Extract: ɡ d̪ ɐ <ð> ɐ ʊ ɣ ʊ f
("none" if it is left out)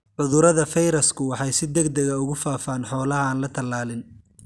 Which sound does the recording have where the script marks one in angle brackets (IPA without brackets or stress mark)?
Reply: ɣ